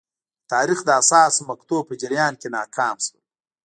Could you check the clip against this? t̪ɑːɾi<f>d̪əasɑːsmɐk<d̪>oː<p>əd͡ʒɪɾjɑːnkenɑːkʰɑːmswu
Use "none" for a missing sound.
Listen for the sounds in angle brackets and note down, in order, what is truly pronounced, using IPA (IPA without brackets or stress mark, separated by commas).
x, t̪, p